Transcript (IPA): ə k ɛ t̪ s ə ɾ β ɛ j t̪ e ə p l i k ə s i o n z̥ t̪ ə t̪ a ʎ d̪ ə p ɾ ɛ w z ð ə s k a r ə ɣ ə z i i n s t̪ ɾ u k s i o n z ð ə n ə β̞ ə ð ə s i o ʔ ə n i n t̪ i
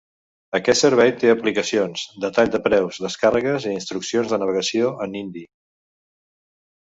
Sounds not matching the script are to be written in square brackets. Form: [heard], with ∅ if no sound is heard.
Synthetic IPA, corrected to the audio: ə k ɛ t̪ s ə ɾ β ɛ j t̪ e ə p l i k ə s i o n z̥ [d̪] ə t̪ a ʎ d̪ ə p ɾ ɛ w z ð ə s k a r ə ɣ ə z i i n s t̪ ɾ u k s i o n z ð ə n ə β̞ ə [ɣ] ə s i o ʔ ə n i n [d̪] i